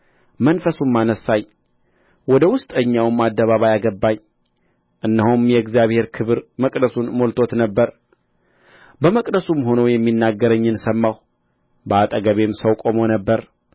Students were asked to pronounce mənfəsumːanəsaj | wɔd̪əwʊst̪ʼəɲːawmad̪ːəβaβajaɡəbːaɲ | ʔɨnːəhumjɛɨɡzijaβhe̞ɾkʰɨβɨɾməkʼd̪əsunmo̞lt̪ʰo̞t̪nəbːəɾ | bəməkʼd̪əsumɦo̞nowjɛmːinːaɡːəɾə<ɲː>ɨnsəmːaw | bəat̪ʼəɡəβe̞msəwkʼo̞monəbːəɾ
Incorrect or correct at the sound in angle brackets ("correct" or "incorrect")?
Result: correct